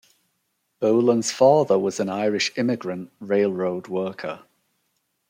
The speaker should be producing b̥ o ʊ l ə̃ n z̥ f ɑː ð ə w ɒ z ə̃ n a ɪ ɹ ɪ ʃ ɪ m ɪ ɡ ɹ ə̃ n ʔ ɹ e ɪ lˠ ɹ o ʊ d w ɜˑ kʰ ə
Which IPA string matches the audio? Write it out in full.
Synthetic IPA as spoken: b̥ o ʊ l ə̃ n z̥ f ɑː ð ə w ɒ z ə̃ n a ɪ ɹ ɪ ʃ ɪ m ɪ ɡ ɹ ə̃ n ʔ ɹ e ɪ lˠ ɹ o ʊ d w ɜˑ kʰ ə